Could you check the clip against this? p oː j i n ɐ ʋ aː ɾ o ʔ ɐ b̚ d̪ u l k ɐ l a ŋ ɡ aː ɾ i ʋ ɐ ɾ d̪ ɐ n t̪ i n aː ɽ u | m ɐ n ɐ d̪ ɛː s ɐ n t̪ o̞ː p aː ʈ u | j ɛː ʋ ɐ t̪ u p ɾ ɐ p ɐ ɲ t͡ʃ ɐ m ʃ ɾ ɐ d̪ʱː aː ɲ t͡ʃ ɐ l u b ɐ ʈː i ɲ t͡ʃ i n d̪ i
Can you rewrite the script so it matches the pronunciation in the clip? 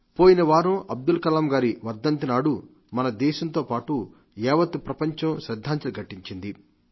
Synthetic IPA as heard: p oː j i n ɐ ʋ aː ɾ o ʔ ɐ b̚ d̪ u l k ɐ l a m ɡ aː ɾ i ʋ ɐ ɾ d̪ ɐ n t̪ i n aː ɽ u | m ɐ n ɐ d̪ ɛː ʃ ɐ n t̪ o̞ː p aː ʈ u | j ɛː ʋ ɐ t̪ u p ɾ ɐ p ɐ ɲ t͡ʃ ɐ m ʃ ɾ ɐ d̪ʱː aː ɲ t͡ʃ ɐ l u ɡ ɐ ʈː i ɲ t͡ʃ i n d̪ i